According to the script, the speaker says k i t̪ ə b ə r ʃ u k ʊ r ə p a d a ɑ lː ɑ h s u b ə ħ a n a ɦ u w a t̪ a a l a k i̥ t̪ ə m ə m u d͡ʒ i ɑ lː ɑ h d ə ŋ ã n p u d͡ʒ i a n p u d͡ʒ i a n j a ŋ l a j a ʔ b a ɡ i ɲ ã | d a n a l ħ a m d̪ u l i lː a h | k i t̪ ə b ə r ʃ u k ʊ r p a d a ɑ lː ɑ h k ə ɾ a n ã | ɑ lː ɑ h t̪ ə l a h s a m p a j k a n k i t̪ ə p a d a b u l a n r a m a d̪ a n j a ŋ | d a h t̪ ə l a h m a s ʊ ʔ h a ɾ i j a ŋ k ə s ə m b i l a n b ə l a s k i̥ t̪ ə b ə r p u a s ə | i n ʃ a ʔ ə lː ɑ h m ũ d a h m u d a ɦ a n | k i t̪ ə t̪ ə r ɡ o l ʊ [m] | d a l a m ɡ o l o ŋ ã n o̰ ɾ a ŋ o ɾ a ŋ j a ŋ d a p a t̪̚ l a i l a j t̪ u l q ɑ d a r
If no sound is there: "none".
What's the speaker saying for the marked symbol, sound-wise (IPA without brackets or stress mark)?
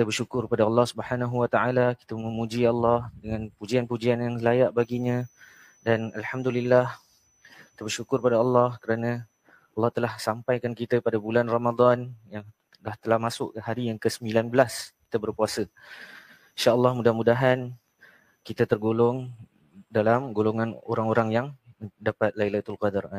ŋ